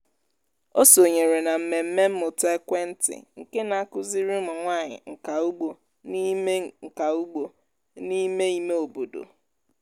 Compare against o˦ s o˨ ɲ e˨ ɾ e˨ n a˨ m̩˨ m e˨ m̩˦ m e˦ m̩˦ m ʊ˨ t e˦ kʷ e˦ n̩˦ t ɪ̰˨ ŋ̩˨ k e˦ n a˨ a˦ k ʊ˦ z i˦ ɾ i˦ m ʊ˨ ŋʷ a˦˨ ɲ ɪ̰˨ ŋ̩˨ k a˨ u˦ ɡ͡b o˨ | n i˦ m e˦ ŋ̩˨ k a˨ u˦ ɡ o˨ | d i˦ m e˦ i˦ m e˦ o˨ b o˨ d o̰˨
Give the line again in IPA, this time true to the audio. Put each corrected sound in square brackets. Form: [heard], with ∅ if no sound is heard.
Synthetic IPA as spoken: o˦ s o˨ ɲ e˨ ɾ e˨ n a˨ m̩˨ m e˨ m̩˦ m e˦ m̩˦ m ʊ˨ t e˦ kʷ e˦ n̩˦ t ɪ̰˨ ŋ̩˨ k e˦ n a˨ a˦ k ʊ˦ z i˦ ɾ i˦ m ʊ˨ ŋʷ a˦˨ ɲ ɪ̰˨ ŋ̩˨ k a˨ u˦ ɡ͡b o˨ | n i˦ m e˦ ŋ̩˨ k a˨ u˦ [ɡ͡b] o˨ | [n] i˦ m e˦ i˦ m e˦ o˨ b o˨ d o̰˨